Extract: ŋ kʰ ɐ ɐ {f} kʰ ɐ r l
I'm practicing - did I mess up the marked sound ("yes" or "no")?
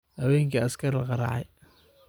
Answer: yes